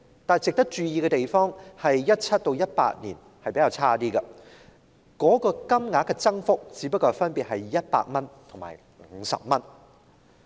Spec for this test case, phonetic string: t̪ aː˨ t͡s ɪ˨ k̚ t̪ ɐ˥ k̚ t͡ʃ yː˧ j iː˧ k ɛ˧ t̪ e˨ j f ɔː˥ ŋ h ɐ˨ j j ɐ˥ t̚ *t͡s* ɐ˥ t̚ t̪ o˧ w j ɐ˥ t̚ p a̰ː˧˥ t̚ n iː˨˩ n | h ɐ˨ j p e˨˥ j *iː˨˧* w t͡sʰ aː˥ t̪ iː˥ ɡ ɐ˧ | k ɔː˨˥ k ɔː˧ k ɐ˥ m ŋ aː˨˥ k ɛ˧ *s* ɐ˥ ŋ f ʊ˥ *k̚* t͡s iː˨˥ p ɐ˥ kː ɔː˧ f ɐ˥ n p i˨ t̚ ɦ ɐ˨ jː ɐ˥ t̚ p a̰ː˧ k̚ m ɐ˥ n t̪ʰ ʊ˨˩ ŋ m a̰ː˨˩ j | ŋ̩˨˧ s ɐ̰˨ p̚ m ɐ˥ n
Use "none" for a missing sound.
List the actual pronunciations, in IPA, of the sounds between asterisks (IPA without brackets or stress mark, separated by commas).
t͡sʰ, aː˨˧, t͡s, k̚